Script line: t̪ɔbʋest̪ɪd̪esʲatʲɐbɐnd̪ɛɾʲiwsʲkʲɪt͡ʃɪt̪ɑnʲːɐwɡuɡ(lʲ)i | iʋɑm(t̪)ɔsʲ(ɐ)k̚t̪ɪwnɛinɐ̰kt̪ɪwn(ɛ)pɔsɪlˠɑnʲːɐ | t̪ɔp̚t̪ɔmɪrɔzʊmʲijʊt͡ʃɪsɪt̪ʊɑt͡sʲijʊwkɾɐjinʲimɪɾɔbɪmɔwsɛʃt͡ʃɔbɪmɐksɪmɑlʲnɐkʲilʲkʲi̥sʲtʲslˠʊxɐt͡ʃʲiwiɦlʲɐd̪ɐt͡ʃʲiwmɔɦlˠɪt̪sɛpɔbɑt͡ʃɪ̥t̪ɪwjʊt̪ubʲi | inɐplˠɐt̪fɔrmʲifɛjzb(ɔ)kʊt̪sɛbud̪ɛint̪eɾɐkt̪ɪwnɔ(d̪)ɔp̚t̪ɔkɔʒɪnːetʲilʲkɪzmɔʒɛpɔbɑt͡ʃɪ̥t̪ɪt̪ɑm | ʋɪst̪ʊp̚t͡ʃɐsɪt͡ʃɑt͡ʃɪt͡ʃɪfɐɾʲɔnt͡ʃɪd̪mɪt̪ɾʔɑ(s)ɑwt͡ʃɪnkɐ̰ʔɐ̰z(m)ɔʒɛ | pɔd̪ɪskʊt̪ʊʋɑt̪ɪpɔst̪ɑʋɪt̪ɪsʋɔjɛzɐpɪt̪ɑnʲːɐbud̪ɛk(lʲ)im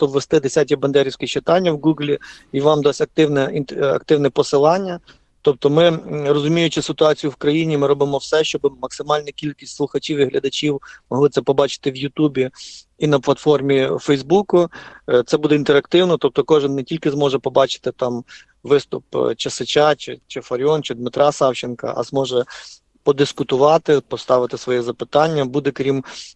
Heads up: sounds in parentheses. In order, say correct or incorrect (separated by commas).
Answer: correct, incorrect, correct, correct, incorrect, incorrect, correct, correct, incorrect